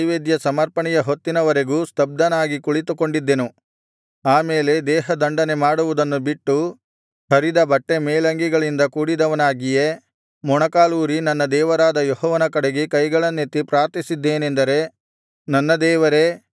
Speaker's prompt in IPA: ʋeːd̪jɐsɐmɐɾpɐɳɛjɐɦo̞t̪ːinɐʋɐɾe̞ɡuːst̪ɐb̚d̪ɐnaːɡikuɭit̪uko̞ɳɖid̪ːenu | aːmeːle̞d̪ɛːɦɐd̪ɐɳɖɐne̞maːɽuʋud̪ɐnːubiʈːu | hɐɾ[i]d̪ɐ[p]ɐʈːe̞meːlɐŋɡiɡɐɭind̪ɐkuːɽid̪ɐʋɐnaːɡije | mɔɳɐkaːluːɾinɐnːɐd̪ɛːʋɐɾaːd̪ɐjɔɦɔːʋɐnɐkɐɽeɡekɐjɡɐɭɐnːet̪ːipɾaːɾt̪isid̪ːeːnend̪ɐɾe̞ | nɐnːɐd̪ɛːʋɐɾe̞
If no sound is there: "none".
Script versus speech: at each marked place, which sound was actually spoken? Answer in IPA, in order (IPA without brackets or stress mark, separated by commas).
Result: i, b